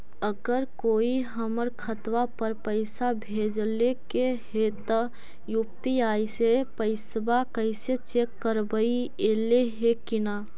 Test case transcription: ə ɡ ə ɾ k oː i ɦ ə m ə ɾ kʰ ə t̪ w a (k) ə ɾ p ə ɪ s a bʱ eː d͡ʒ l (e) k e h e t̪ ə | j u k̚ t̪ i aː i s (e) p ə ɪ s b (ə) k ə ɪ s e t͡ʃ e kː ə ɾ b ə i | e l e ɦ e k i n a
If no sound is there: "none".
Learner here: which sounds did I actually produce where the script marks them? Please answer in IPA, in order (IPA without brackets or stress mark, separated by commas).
p, e, e, a